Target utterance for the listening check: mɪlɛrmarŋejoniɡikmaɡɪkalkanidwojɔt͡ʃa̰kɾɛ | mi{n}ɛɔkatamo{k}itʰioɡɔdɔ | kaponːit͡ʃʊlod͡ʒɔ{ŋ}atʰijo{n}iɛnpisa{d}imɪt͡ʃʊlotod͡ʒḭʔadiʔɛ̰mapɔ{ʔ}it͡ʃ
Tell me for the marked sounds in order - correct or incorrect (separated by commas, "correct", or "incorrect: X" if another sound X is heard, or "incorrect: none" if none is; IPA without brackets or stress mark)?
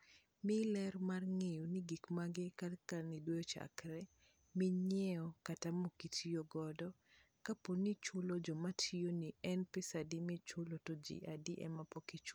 incorrect: ɲ, correct, incorrect: m, correct, correct, incorrect: k